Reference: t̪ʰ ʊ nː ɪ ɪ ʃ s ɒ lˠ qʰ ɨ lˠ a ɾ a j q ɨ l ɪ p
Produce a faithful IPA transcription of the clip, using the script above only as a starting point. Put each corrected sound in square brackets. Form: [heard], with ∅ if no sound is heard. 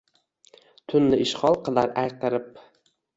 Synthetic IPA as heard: t̪ʰ ʊ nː ɪ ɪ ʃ [χ] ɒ lˠ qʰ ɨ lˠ a ɾ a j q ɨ [ɾ] ɪ p